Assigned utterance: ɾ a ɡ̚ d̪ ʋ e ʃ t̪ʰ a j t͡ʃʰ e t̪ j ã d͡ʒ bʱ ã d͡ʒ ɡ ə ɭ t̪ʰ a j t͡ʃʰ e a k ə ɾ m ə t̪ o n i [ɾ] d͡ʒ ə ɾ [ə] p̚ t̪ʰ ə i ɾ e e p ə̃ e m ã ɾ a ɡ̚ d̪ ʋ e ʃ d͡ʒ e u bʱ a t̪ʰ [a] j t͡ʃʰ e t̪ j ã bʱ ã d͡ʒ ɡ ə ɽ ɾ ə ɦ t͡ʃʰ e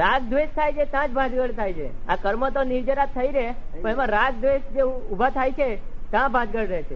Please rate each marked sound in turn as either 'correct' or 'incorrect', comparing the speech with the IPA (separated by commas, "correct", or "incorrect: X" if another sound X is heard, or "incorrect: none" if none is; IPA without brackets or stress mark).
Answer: correct, incorrect: a, correct